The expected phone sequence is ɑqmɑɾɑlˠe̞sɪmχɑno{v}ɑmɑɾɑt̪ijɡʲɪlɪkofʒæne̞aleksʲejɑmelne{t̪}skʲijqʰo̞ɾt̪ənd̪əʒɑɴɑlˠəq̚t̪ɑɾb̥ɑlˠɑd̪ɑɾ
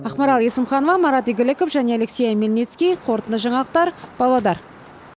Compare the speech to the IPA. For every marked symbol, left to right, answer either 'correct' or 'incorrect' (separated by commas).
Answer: correct, correct